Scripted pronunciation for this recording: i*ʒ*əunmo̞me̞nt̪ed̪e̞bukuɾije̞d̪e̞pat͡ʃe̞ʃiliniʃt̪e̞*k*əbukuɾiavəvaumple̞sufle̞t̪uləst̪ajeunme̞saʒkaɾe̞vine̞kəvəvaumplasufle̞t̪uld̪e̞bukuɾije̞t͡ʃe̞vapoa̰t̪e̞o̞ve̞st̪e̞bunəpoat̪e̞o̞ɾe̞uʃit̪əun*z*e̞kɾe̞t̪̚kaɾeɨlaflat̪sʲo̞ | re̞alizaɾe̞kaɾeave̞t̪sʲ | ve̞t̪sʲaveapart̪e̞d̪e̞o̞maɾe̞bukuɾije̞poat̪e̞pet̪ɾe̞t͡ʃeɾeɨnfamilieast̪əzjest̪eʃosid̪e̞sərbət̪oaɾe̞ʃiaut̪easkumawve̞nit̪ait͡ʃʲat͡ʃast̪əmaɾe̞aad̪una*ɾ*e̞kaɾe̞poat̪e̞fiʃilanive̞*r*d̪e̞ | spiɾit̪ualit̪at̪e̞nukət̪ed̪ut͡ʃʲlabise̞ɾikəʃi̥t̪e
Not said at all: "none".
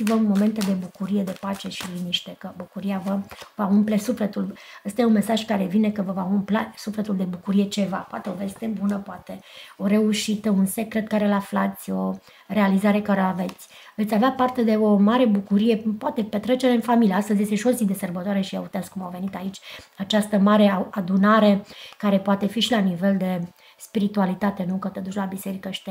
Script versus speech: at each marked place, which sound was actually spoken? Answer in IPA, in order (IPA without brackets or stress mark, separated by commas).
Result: v, k, s, ɾ, l